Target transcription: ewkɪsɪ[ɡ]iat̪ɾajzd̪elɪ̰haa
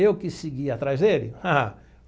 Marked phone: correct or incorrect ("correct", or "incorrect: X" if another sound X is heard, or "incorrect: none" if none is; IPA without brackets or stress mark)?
correct